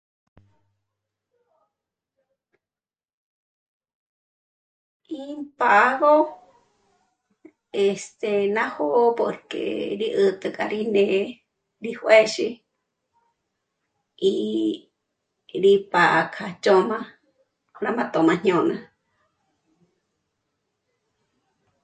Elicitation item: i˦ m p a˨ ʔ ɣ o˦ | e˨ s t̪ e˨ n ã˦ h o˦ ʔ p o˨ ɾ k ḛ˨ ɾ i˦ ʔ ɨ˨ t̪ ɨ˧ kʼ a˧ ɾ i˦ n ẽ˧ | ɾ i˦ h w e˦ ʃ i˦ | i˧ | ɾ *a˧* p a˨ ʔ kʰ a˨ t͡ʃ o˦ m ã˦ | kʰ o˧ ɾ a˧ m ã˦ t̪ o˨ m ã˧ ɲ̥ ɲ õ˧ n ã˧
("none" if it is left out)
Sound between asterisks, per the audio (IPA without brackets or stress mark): i˧